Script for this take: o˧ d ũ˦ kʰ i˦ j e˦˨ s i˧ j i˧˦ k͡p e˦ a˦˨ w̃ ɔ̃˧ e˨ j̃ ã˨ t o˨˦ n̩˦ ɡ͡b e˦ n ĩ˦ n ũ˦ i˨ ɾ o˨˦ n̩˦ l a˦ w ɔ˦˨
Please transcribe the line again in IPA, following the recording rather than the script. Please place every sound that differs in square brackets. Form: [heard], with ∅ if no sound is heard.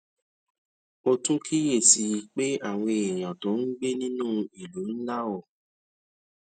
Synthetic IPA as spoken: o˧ [t] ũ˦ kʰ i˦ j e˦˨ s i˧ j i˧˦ k͡p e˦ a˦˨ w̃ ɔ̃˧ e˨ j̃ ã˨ t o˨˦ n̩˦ ɡ͡b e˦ n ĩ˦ n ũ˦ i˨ [l] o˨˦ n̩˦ l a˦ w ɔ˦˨